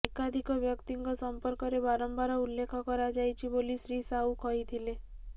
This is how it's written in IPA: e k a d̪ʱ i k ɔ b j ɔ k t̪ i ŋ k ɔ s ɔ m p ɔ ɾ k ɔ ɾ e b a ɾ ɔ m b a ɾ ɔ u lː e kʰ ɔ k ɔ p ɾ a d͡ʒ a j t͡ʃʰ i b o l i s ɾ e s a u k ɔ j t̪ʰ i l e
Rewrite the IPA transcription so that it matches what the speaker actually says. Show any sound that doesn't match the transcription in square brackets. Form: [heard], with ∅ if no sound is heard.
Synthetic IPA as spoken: e k a d̪ʱ i k ɔ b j ɔ k t̪ i ŋ k ɔ s ɔ m p ɔ ɾ k ɔ ɾ e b a ɾ ɔ m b a ɾ ɔ u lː e kʰ ɔ k ɔ [∅] ɾ a d͡ʒ a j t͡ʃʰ i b o l i s ɾ [i] s a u k ɔ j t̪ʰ i l e